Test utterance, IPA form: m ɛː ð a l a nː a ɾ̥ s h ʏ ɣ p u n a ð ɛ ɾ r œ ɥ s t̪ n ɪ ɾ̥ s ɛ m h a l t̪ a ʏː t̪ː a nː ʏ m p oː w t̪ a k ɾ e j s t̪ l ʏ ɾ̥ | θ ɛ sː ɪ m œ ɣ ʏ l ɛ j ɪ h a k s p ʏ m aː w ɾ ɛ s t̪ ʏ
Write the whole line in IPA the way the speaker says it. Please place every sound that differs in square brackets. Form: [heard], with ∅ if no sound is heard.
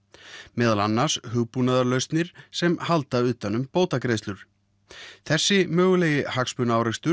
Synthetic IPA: m ɛː ð a l a nː a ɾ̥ s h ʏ ɣ p u n a ð [a] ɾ [l] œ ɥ s t̪ n ɪ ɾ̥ s ɛ m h a l t̪ a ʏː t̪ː a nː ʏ m p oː w t̪ a k ɾ e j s t̪ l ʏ ɾ̥ | θ ɛ sː ɪ m [œː] ɣ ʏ l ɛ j ɪ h a k s p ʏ [n] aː w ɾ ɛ s t̪ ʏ